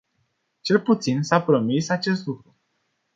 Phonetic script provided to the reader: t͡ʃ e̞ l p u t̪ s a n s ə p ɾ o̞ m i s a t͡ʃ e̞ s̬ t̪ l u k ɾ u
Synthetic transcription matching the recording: t͡ʃ e̞ l p u t̪ s i n s a p ɾ o̞ m i s a t͡ʃ e̞ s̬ t̪ l u k ɾ u